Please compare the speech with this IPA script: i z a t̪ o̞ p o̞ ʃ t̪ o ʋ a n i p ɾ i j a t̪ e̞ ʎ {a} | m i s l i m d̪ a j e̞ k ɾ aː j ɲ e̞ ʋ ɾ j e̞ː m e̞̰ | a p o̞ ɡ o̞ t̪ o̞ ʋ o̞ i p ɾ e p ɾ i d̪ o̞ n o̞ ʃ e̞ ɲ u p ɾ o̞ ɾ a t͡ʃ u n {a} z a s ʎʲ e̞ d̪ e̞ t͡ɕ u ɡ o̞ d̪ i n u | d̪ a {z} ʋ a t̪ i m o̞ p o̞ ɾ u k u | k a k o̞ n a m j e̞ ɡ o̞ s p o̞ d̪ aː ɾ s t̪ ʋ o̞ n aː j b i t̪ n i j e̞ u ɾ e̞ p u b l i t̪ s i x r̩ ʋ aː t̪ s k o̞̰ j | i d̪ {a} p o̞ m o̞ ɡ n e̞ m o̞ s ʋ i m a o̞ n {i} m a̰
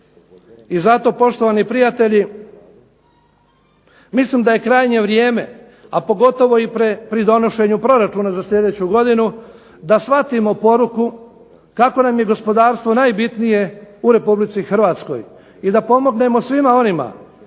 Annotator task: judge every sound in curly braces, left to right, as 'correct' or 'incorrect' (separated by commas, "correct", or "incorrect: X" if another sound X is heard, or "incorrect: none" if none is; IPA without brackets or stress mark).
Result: incorrect: i, correct, incorrect: s, correct, correct